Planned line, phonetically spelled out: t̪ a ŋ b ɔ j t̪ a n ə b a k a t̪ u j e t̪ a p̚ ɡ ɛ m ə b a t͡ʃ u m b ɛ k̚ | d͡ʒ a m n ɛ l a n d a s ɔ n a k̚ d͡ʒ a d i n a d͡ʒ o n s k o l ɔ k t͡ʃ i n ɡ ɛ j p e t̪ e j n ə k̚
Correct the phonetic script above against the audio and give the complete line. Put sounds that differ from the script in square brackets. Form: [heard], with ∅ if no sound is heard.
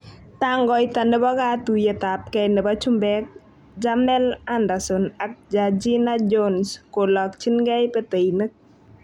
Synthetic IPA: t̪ a ŋ [ɡ] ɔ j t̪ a n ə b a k a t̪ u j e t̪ a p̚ [k] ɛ [n] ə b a t͡ʃ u m b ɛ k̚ | d͡ʒ a m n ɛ l a n d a s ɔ n a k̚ d͡ʒ a [d͡ʒ] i n a d͡ʒ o n s k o l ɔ k t͡ʃ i n ɡ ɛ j p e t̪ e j n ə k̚